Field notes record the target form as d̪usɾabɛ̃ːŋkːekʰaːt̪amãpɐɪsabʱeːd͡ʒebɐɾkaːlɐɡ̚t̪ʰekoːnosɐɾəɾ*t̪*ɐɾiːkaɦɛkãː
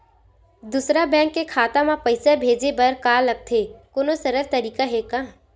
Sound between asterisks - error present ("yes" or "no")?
no